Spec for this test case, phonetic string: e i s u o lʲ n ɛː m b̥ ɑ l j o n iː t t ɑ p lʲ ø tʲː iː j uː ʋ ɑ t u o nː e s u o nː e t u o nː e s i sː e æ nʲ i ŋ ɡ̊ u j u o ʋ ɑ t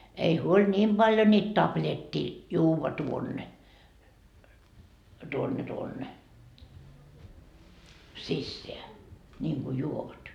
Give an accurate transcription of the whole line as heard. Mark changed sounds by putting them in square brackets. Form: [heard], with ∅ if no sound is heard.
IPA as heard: e i [h] u o lʲ n [iː] m b̥ ɑ l j o n iː t t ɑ p lʲ [e] tʲː iː j uː ʋ ɑ t u o nː e [t] u o nː e t u o nː e s i sː e æ nʲ [iː] ŋ ɡ̊ u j u o ʋ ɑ t